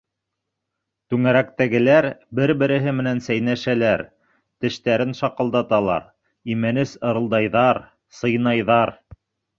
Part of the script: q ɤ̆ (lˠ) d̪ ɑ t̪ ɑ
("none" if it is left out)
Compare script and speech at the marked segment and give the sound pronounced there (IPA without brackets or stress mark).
lˠ